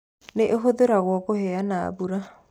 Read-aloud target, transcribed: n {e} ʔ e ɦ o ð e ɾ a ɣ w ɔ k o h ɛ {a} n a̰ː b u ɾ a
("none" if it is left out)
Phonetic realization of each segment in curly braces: e, a

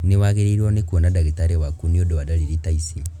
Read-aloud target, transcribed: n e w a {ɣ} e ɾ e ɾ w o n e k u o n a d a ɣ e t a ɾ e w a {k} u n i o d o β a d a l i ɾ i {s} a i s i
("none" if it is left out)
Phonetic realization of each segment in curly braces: ɣ, k, t

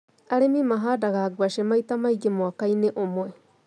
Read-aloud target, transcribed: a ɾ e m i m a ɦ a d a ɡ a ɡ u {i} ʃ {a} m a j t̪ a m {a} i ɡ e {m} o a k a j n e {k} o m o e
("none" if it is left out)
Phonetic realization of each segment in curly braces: a, e, a, m, ʔ

